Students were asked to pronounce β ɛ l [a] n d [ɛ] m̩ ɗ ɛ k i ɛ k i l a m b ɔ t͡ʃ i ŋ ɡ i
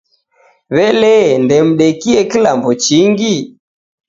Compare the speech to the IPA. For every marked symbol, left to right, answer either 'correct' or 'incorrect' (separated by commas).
incorrect, correct